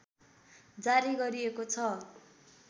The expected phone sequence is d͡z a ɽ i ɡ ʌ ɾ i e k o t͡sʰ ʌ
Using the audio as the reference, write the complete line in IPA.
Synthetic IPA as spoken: d͡z a ɾ i ɡ ʌ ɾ i e k o t͡sʰ ʌ

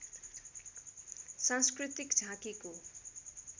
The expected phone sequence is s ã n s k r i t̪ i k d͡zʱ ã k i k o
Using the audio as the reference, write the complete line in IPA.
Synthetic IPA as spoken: s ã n s k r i t̪ i k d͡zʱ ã k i k o

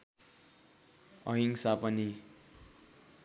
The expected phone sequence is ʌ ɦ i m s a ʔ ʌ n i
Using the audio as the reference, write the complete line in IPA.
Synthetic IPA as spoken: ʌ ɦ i ŋ s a p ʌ n i

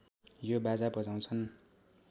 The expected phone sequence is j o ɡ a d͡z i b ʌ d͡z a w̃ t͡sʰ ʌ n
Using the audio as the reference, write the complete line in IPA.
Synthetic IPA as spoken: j o b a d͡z a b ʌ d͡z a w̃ t͡sʰ ʌ n

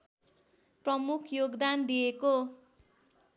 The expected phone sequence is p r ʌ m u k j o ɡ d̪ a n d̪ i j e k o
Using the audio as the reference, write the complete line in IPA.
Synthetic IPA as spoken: p r ʌ m u kʰ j o ɡ d̪ a n d̪ i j e k o

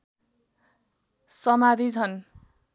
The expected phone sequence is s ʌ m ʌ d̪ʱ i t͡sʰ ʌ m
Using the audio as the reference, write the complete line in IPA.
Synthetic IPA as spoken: s ʌ m a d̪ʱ i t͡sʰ ʌ n

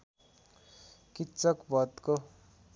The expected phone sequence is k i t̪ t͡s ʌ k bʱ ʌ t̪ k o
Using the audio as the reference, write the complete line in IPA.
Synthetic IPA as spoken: k i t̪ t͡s ʌ k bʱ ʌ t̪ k o

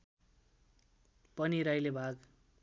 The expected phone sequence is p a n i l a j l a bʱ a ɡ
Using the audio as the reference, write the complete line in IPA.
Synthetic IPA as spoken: p ʌ n i ɾ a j l e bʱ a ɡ

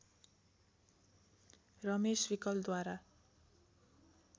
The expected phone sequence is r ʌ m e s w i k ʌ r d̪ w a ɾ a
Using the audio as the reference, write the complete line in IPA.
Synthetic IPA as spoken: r ʌ m e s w i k ʌ l d̪ w a ɾ a

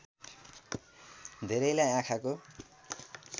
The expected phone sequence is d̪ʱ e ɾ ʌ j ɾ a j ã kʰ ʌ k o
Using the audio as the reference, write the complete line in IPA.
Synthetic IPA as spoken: d̪ʱ e ɾ ʌ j l a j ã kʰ a k o

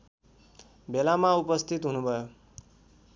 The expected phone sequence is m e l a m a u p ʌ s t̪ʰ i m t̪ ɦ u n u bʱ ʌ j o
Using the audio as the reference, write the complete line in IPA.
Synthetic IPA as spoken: b e l a m a u p ʌ s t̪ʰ i t̪ ɦ u n u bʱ ʌ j o

